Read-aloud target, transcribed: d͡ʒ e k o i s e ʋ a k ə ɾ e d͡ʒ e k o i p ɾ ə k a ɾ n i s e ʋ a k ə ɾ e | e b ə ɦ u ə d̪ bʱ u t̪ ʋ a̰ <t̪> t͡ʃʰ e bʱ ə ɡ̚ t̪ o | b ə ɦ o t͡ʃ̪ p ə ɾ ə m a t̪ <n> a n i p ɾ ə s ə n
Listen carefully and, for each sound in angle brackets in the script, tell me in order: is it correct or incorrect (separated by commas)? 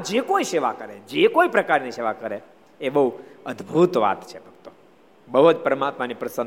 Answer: correct, incorrect